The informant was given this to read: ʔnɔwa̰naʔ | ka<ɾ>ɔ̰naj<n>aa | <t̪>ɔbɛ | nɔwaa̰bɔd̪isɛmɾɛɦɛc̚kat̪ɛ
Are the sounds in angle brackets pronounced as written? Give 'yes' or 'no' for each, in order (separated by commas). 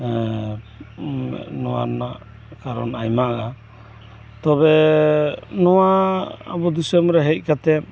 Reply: yes, no, yes